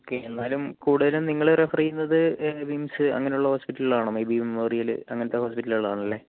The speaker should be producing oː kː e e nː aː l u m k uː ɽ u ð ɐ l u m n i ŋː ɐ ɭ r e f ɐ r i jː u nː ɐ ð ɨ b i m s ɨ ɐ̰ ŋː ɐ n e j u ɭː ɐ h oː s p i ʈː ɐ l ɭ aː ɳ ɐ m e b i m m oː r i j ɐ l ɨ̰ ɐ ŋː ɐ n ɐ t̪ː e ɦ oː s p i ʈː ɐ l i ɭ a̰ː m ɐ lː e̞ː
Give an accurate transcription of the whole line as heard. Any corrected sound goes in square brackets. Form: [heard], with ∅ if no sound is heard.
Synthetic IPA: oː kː e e nː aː l u m k uː ɽ u ð ɐ l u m n i ŋː ɐ ɭ r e f ɐ r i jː u nː ɐ ð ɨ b i m s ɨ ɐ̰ ŋː ɐ n e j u ɭː ɐ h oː s p i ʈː ɐ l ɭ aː ɳ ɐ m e b i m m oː r i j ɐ l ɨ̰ ɐ ŋː ɐ n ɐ t̪ː e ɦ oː s p i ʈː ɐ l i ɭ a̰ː [ɳ] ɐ lː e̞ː